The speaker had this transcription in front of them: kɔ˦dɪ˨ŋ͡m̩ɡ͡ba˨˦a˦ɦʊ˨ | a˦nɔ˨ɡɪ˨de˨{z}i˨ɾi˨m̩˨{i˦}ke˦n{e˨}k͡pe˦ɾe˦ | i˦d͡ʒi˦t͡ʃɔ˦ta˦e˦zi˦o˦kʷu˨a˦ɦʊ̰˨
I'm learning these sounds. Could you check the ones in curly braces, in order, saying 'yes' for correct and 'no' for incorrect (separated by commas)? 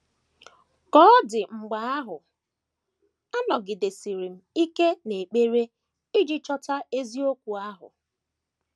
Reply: no, yes, yes